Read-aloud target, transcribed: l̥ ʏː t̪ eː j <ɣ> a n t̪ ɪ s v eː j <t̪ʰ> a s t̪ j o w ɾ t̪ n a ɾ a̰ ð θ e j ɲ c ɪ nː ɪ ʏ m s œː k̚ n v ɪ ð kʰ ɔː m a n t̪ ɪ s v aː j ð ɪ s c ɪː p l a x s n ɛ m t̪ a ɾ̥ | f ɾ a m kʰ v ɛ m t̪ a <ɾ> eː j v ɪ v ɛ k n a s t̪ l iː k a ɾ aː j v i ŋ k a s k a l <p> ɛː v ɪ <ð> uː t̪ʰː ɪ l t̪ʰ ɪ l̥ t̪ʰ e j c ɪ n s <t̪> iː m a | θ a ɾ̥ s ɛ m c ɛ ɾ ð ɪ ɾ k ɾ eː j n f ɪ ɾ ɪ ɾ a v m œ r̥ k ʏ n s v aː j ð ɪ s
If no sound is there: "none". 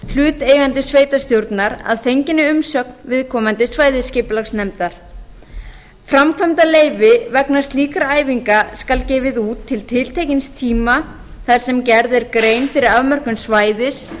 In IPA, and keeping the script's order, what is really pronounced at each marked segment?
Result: ɣ, t̪, l, c, ð, t̪ʰ

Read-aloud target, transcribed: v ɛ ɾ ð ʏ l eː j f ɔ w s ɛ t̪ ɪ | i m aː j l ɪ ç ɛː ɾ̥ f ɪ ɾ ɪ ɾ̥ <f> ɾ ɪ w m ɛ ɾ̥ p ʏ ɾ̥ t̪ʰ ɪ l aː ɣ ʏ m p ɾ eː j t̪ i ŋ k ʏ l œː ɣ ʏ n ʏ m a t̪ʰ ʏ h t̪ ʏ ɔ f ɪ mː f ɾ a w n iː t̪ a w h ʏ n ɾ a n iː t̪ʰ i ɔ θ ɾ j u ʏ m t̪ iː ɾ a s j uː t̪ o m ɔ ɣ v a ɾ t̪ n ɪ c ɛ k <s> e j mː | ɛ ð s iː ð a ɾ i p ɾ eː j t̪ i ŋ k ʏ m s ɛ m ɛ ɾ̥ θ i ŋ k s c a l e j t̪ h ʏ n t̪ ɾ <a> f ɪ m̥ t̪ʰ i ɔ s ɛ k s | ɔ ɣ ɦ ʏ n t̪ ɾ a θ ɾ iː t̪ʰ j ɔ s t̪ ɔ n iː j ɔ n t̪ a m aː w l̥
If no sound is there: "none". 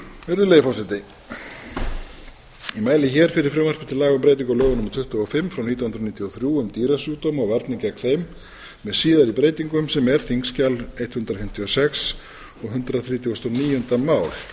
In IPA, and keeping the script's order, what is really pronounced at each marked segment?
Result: f, θ, a

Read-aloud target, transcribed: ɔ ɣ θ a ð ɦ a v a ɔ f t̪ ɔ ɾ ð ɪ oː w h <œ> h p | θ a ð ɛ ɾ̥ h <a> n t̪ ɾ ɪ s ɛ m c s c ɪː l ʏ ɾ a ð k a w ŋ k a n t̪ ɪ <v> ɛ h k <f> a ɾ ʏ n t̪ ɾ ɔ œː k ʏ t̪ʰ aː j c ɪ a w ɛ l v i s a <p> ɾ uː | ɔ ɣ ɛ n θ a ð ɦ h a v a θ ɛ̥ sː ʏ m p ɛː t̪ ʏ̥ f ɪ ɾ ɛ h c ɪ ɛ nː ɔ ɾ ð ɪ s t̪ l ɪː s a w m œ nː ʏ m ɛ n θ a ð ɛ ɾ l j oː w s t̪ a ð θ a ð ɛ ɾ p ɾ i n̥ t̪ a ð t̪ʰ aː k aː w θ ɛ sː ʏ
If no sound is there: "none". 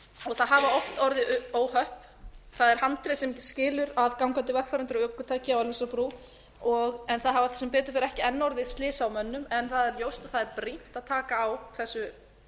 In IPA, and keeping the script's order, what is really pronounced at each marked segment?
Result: œ, a, v, f, p

